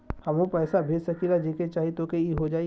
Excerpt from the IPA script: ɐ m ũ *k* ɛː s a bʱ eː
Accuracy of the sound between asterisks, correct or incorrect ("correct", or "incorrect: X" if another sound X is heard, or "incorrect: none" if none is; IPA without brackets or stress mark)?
incorrect: p